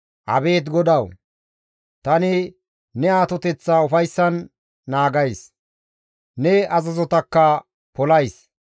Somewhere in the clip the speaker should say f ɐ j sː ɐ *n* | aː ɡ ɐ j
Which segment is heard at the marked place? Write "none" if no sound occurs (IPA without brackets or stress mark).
nː